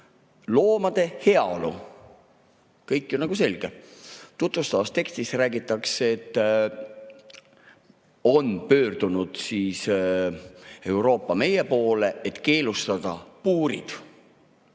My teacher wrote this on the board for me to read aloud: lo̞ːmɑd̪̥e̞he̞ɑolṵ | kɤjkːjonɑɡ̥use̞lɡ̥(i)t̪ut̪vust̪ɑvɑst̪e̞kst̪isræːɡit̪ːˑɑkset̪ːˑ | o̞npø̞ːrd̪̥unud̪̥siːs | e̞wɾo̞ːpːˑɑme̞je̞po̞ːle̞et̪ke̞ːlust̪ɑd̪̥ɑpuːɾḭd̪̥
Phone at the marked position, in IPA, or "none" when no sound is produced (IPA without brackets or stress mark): e